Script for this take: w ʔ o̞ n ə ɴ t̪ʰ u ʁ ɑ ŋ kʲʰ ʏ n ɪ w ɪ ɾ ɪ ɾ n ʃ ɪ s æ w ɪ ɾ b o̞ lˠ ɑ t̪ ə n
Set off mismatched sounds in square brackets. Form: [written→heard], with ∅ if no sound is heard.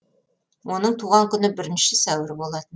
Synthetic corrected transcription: w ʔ o̞ n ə ɴ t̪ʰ u ʁ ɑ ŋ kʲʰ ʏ n ɪ [w→b] ɪ ɾ ɪ [ɾ→∅] n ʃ ɪ s æ w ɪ ɾ b o̞ lˠ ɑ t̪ ə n

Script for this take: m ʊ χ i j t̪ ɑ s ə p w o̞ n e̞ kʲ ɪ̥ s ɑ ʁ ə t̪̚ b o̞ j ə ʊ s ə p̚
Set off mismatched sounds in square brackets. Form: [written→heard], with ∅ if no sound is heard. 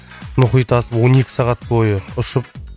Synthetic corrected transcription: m ʊ χ i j t̪ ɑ s ə p w o̞ n e̞ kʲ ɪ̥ s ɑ ʁ [ə→ɑ] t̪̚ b o̞ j ə ʊ [s→ʃ] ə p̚

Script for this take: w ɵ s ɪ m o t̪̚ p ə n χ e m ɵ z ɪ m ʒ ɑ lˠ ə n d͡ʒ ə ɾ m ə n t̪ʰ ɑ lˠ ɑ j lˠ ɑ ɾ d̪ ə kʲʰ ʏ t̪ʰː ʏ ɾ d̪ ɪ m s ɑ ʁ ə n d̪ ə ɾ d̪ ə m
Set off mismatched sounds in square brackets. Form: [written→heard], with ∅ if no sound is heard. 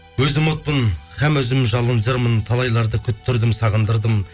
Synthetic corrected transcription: w ɵ [s→z] ɪ m o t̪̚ p ə n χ [e→æ] m ɵ z ɪ m ʒ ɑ lˠ ə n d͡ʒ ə ɾ m ə n t̪ʰ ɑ lˠ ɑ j lˠ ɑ ɾ d̪ ə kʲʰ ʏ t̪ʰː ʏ ɾ d̪ ɪ m s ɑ ʁ ə n d̪ ə ɾ d̪ ə m

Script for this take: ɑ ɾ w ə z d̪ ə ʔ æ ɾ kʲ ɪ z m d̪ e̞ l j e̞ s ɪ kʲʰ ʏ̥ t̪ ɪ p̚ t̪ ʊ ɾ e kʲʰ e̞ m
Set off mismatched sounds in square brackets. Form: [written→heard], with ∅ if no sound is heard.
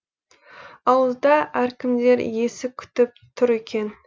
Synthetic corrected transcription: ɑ [ɾ→∅] w ə z d̪ [ə→ɑ] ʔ æ ɾ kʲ ɪ [z→∅] m d̪ e̞ [l→ɾ] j e̞ s ɪ kʲʰ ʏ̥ t̪ ɪ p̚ [t̪→t̪ʰ] ʊ ɾ e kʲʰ e̞ [m→n]

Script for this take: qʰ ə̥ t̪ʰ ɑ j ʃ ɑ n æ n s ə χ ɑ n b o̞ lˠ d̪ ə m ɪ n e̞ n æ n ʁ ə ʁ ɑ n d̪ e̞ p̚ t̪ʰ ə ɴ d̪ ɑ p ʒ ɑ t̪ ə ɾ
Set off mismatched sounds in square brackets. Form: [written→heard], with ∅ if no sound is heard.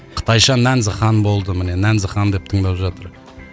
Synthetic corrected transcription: qʰ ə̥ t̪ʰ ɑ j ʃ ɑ n æ n [s→z] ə χ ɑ n b o̞ lˠ d̪ ə m ɪ n e̞ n æ n [ʁ→z] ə [ʁ→χ] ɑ n d̪ e̞ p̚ t̪ʰ ə ɴ d̪ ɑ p ʒ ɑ t̪ ə ɾ

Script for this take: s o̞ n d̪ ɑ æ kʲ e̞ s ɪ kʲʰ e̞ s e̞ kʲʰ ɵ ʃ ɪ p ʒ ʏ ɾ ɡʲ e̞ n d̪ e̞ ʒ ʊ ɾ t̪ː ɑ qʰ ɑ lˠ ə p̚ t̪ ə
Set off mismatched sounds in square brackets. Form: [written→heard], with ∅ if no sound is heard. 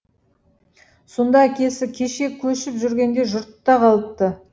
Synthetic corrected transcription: s o̞ n d̪ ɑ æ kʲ e̞ s ɪ kʲʰ e̞ [s→ʃ] e̞ kʲʰ ɵ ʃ ɪ p ʒ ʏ ɾ ɡʲ e̞ n d̪ e̞ ʒ ʊ ɾ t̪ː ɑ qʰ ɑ lˠ ə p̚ t̪ ə

